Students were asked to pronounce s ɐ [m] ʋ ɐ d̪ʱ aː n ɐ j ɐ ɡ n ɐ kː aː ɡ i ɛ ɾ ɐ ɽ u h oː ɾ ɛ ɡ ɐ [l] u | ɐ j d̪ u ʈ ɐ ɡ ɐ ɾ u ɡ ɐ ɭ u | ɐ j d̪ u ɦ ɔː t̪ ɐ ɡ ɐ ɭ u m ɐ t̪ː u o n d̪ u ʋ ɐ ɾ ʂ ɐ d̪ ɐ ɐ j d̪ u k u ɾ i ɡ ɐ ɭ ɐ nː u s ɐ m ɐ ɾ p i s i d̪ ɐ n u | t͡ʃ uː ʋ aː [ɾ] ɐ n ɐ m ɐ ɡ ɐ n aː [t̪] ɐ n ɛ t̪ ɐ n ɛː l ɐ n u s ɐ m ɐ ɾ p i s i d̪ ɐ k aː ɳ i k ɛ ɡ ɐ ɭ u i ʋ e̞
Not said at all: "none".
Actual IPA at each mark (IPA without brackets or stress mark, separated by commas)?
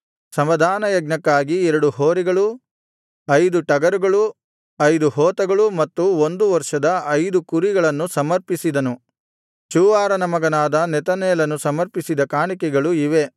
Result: m, ɭ, ɾ, d̪